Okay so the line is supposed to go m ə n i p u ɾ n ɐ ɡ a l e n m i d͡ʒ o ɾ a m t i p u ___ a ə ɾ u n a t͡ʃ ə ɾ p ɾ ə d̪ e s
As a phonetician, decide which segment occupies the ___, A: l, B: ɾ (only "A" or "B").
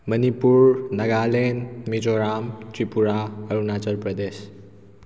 B